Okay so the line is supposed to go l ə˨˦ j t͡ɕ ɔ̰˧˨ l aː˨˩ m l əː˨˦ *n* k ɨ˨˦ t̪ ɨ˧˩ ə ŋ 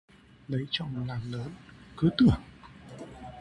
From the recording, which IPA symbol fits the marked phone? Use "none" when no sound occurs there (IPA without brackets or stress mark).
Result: n